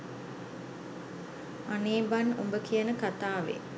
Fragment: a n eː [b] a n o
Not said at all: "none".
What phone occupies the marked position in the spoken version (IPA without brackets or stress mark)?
b